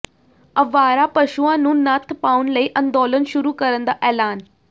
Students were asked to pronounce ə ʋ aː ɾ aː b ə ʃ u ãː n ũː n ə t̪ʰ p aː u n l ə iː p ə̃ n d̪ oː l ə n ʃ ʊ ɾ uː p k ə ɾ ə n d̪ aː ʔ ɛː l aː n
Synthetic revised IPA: ə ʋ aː ɾ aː p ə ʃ u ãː n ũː n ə t̪ʰ p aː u n l ə iː ʔ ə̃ n d̪ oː l ə n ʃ ʊ ɾ uː k ə ɾ ə n d̪ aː ʔ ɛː l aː n